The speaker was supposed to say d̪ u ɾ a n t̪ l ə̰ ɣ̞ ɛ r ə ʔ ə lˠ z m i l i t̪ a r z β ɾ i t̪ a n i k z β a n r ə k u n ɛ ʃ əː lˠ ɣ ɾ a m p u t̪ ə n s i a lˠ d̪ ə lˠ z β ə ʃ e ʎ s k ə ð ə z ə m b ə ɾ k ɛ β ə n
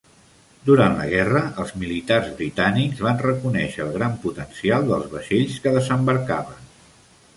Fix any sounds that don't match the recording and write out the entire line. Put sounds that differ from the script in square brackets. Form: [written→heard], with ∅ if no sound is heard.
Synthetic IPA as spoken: d̪ u ɾ a n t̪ l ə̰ ɣ̞ ɛ r ə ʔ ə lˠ z m i l i t̪ a r z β ɾ i t̪ a n i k z β a n r ə k u n ɛ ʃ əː lˠ ɣ ɾ a m p u t̪ ə n s i a lˠ d̪ ə lˠ z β ə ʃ e ʎ s k ə ð ə z ə m b ə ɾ k [ɛ→a] β ə n